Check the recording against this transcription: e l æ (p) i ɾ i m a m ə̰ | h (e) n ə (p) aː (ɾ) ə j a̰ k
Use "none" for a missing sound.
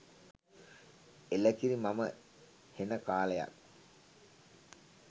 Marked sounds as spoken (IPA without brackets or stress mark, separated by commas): k, e, k, l